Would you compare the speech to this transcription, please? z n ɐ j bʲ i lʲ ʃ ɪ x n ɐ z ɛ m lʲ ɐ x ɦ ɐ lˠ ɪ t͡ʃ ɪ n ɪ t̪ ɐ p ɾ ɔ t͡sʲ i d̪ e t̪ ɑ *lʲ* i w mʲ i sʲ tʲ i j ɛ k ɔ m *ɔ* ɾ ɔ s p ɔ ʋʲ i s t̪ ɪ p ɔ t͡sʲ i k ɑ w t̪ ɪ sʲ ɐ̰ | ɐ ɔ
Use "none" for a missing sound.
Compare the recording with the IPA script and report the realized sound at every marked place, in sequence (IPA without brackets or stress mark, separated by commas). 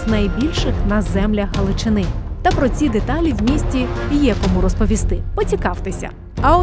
lʲ, u